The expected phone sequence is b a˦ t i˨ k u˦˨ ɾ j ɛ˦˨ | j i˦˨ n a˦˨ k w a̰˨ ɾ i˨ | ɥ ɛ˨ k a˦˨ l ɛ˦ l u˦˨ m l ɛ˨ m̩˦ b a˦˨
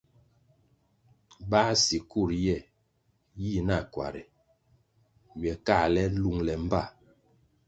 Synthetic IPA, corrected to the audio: b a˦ s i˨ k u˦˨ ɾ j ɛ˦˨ | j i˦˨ n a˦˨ k w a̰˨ ɾ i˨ | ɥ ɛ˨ k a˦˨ l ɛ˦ l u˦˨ ŋ l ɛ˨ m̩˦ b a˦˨